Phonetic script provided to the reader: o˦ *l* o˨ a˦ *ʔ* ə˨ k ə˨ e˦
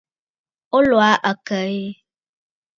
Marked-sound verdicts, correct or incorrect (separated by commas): correct, correct